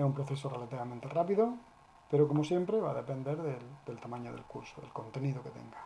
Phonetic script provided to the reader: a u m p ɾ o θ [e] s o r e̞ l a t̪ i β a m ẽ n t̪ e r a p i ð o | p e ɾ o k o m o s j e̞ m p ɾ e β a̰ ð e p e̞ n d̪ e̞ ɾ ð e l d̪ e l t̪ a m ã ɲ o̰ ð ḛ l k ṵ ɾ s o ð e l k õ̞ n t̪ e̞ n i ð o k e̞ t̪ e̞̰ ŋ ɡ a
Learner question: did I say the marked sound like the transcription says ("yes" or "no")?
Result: yes